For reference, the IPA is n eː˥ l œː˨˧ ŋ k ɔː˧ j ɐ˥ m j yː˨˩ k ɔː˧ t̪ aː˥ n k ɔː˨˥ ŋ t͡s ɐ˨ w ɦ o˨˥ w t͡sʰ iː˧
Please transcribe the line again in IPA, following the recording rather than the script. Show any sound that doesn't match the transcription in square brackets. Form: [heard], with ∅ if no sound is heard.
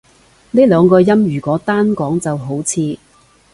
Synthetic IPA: n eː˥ l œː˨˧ ŋ k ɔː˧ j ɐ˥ m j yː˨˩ k [ɔː˨˥] t̪ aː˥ n k ɔː˨˥ ŋ t͡s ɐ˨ w ɦ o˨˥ w t͡sʰ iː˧